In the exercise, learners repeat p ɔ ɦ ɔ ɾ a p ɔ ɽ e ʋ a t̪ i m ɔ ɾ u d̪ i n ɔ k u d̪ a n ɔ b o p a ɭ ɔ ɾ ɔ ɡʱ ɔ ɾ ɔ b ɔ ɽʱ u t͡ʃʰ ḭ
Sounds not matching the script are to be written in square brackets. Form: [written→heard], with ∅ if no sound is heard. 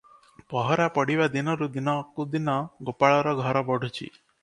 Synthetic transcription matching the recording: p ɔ ɦ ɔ ɾ a p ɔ ɽ [e→i] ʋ a [t̪→d̪] i [m→n] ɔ ɾ u d̪ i n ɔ k u d̪ [a→i] n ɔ [b→ɡ] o p a ɭ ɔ ɾ ɔ ɡʱ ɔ ɾ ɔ b ɔ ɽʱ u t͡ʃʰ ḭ